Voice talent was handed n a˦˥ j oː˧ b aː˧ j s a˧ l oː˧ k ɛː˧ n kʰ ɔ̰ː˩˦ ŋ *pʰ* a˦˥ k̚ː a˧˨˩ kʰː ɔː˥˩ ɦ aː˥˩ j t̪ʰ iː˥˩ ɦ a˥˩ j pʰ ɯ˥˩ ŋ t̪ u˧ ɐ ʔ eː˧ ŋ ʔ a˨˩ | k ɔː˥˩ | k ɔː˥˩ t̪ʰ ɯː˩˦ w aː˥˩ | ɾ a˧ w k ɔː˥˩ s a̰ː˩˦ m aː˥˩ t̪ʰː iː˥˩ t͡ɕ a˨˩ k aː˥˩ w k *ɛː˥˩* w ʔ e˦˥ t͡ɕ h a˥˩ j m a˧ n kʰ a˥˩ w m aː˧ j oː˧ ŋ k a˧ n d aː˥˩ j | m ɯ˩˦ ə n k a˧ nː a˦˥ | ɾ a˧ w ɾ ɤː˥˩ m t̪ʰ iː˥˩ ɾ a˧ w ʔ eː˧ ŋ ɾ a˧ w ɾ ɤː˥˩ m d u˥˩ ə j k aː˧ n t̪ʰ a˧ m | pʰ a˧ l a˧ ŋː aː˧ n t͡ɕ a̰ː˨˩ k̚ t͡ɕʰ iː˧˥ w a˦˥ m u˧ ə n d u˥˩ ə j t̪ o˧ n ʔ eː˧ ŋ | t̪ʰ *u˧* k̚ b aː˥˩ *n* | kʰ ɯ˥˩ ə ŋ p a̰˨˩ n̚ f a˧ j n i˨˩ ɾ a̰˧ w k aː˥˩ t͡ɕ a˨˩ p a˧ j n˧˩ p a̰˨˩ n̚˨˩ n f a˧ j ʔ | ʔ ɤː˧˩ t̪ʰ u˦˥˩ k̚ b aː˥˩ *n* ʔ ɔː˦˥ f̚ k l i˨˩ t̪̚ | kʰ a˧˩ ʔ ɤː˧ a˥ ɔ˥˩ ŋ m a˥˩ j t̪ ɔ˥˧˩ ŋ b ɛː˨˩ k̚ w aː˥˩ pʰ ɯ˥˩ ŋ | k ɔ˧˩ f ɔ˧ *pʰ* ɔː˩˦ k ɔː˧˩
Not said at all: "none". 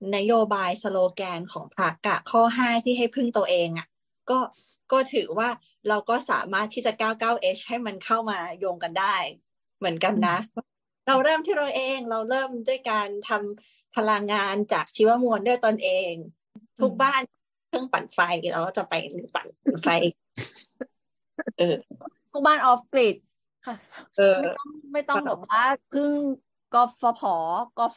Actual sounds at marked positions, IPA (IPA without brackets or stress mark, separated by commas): pʰ, aː˥˩, u˦˥, n, n, pʰ